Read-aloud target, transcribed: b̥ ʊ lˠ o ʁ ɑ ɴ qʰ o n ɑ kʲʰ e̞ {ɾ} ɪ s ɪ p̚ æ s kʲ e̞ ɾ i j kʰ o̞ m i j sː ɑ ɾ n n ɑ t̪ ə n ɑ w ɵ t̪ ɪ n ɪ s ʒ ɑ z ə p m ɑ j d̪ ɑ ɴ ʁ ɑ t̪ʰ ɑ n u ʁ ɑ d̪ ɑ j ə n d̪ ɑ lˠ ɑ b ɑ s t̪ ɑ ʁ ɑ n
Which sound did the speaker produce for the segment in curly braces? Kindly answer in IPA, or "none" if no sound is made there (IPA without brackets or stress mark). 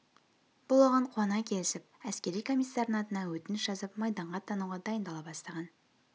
l